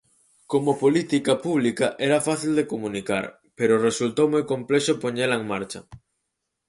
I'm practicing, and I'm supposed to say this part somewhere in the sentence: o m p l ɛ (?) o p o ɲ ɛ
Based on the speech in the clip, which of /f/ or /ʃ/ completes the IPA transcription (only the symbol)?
ʃ